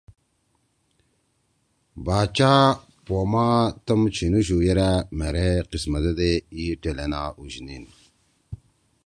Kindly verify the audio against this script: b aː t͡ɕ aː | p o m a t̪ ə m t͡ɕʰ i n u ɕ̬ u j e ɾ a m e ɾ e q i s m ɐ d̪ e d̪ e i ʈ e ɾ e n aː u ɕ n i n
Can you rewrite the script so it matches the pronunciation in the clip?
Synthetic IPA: b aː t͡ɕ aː | p o m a t̪ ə m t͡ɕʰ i n u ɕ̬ u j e ɾ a m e ɾ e q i s m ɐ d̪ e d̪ e i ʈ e l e n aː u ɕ n i n